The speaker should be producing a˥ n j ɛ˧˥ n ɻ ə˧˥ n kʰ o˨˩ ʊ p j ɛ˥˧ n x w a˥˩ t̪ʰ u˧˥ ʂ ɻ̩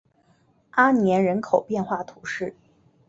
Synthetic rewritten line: a˥ n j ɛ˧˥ n ɻ ə˧˥ n kʰ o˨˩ ʊ p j ɛ˥˧ n x w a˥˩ t̪ʰ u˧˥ ʂ ɻ̩